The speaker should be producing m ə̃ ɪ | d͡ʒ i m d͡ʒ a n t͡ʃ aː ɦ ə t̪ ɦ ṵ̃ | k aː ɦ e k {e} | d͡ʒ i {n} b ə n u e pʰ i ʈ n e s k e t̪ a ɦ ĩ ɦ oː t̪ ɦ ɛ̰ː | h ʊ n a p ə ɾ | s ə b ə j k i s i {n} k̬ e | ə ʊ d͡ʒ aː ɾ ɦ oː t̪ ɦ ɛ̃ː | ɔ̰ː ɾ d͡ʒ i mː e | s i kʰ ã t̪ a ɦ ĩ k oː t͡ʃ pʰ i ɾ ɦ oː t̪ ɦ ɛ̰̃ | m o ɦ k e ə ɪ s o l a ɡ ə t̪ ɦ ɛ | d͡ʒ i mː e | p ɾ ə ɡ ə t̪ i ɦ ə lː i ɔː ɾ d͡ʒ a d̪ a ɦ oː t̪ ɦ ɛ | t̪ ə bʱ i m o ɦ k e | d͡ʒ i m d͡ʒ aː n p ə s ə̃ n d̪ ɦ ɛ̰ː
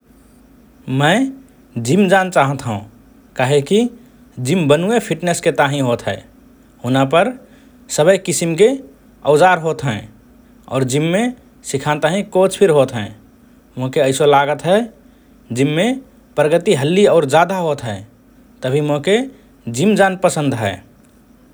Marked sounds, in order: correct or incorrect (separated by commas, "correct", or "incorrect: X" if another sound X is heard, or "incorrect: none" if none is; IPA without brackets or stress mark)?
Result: incorrect: i, incorrect: m, incorrect: m